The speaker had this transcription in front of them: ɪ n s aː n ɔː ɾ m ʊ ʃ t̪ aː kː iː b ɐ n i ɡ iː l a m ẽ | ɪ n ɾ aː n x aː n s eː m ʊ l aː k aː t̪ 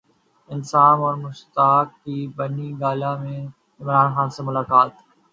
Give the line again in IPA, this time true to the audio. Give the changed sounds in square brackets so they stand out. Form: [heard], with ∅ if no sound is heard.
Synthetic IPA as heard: ɪ n s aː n ɔː ɾ m ʊ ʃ t̪ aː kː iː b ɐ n i ɡ [aː] l a m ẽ | ɪ [m] ɾ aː n x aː n s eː m ʊ l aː k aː t̪